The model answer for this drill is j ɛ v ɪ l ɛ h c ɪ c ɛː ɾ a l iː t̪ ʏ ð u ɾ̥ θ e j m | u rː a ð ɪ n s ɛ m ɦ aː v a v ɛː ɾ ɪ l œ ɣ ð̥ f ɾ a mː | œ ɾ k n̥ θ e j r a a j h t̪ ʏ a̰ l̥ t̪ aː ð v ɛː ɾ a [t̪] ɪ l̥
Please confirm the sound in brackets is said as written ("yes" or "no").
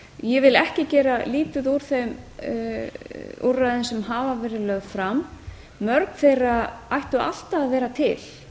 no